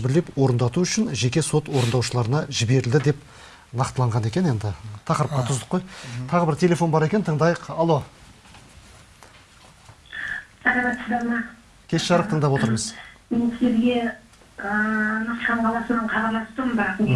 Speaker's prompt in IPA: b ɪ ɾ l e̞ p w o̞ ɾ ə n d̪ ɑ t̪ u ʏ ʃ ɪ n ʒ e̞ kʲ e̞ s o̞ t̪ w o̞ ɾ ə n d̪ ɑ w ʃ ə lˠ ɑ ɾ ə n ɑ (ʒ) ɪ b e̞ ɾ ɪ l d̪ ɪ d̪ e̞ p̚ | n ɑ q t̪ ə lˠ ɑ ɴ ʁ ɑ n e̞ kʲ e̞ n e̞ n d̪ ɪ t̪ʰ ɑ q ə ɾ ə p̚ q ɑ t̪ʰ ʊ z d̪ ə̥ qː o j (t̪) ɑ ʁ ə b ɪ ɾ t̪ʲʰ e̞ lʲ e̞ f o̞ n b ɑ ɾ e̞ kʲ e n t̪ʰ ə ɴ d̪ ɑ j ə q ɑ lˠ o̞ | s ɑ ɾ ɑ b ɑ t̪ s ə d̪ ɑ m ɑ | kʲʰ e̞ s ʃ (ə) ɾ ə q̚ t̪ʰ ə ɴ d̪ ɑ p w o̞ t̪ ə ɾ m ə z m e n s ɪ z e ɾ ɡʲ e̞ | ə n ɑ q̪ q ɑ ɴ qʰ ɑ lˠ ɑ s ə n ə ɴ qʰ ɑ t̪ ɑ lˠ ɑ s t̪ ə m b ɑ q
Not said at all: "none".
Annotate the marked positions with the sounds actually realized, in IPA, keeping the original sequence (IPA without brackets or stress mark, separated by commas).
ʒ, t̪ʰ, ɑ